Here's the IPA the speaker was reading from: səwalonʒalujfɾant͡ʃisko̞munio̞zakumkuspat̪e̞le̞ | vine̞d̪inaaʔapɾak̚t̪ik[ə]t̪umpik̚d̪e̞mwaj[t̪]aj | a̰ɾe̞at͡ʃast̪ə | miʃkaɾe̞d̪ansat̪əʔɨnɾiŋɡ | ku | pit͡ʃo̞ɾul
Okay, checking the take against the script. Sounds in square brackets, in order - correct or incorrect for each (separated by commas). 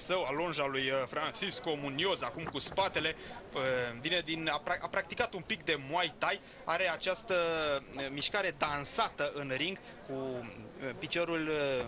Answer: incorrect, correct